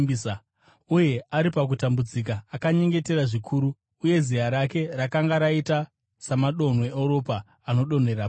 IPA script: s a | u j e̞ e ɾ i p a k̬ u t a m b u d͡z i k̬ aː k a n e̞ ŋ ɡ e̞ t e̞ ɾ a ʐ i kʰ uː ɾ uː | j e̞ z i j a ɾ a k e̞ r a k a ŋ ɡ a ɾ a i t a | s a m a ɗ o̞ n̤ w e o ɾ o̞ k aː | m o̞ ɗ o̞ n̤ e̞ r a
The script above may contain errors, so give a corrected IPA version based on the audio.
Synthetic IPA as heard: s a | u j e̞ a ɾ i p a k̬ u t a m b u d͡z i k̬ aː k a ɲ e̞ ŋ ɡ e̞ t e̞ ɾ a ʐ i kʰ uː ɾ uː | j e̞ z i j a ɾ a k e̞ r a k a ŋ ɡ a ɾ a i t a | s a m a ɗ o̞ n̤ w e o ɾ o̞ p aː | n o̞ ɗ o̞ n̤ e̞ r a